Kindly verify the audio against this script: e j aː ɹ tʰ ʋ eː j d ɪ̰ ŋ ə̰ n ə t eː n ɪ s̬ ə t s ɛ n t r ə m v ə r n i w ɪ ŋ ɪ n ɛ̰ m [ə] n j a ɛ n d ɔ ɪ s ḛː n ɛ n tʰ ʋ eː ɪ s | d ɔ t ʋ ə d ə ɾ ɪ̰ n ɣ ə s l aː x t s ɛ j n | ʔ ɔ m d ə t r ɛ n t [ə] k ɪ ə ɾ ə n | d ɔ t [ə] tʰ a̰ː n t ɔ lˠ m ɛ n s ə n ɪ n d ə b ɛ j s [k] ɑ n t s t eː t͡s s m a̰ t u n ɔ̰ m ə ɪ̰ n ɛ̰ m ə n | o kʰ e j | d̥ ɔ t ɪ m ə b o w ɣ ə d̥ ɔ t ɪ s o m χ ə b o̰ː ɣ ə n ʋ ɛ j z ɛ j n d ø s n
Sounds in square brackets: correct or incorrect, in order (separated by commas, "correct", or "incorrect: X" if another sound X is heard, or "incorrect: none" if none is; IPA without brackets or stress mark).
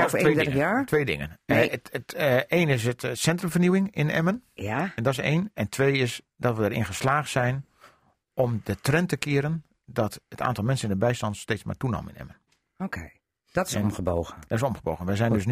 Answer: correct, correct, correct, incorrect: t